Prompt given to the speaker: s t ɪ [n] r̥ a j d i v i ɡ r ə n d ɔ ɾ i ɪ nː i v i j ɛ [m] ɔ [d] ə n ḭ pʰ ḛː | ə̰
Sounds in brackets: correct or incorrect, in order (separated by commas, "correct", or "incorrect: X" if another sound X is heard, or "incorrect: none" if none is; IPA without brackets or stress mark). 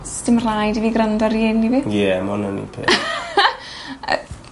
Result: incorrect: m, correct, incorrect: n